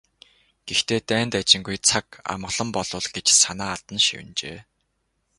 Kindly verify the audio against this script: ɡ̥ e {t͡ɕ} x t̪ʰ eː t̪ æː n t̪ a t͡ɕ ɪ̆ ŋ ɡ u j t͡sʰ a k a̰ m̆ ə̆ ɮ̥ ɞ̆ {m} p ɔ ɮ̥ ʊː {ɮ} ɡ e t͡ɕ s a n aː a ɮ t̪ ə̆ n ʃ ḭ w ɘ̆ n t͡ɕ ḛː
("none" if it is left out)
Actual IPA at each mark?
none, m, ɮ

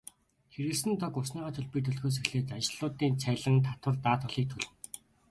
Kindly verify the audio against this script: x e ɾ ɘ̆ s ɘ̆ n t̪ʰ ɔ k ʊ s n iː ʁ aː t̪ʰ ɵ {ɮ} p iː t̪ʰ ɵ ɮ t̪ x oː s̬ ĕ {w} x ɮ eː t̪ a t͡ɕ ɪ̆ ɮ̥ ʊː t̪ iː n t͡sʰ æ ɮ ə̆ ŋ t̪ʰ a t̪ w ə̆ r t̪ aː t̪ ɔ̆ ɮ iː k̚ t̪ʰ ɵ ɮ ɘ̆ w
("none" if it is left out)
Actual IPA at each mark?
ɮ, none

